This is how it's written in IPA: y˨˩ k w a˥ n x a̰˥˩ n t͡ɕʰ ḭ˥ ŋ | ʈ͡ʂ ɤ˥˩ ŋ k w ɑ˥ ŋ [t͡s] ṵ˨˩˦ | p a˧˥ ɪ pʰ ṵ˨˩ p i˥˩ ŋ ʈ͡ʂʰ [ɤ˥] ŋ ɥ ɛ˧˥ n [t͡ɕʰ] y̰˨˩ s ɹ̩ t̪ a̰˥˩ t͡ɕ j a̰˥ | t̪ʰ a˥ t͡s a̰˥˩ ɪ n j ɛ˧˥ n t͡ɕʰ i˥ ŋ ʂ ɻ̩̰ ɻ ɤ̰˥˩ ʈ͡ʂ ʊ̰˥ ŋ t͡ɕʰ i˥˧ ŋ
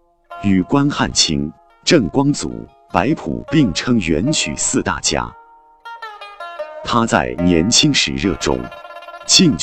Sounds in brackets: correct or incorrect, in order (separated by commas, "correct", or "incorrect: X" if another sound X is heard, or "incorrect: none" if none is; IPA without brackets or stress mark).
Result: correct, correct, correct